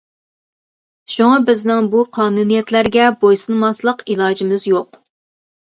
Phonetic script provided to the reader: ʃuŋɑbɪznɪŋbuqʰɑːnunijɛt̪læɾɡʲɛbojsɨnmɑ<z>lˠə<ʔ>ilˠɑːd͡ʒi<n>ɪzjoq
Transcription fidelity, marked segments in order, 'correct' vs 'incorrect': incorrect: s, incorrect: q, incorrect: m

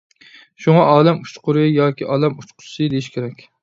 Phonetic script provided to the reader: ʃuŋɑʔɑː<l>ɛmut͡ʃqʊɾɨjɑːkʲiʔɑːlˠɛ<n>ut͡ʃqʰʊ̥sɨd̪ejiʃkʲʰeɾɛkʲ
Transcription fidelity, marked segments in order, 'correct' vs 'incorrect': correct, incorrect: m

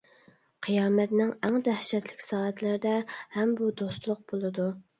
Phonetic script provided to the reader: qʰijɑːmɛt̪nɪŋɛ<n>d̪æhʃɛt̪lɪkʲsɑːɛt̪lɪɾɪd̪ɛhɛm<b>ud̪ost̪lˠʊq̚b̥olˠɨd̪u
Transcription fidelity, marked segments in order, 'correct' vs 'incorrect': incorrect: ŋ, correct

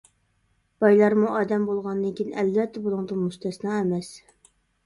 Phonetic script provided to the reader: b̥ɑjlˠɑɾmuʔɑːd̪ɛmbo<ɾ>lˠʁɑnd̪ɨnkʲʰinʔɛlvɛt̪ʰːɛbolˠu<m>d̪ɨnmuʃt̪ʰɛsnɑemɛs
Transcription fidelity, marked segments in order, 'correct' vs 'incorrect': incorrect: none, incorrect: ŋ

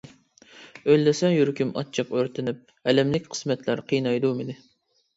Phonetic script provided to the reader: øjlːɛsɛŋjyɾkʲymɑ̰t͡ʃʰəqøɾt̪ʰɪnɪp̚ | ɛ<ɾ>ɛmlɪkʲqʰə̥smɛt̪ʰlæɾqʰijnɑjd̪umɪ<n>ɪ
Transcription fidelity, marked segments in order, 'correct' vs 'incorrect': incorrect: l, correct

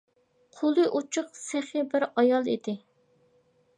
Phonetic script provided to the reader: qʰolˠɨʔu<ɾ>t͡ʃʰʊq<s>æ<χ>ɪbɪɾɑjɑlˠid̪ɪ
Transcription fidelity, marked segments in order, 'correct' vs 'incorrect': incorrect: none, correct, correct

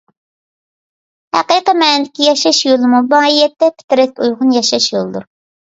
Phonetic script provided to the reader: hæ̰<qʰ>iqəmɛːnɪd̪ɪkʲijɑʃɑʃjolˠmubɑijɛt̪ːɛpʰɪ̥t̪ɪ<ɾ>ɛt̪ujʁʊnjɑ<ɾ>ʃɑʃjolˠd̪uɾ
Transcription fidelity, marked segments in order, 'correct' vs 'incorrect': incorrect: q, correct, incorrect: none

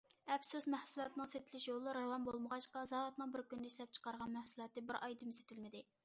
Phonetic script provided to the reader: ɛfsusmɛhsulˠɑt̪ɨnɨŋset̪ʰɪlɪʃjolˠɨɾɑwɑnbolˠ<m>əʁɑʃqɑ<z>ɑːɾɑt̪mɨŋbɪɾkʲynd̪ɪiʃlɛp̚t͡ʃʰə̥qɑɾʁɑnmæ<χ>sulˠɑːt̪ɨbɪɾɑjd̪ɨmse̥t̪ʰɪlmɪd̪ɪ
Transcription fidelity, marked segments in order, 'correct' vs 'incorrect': correct, correct, incorrect: h

